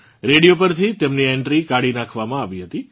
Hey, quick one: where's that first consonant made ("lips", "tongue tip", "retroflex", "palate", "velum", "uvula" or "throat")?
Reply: tongue tip